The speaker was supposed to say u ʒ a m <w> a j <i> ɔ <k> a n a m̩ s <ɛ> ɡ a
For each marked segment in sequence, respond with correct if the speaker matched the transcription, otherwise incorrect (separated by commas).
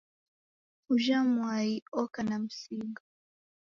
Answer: correct, correct, correct, incorrect